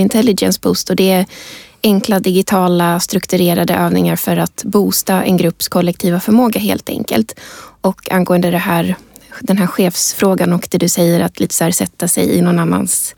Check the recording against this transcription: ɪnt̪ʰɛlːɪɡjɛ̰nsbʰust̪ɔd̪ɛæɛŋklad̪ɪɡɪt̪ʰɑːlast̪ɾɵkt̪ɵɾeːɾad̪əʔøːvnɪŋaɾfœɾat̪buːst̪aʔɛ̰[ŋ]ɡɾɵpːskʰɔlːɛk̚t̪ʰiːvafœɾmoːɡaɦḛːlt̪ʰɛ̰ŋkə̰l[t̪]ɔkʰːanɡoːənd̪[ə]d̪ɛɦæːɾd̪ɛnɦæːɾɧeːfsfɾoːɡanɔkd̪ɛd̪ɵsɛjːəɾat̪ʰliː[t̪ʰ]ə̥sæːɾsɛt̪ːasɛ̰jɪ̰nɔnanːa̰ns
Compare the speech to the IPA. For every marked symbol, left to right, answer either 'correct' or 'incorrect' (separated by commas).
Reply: incorrect, correct, correct, incorrect